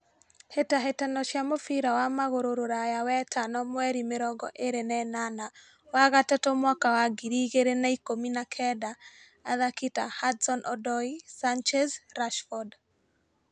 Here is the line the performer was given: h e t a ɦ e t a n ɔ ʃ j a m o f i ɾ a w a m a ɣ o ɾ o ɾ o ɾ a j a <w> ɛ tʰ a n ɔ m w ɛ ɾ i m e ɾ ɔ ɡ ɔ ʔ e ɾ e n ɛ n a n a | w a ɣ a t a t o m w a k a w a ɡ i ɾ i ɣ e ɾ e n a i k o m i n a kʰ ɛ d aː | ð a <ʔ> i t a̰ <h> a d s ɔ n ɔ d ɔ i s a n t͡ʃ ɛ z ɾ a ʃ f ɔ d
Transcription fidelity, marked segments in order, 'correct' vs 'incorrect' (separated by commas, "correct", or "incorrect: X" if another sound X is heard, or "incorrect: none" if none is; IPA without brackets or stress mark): correct, incorrect: k, correct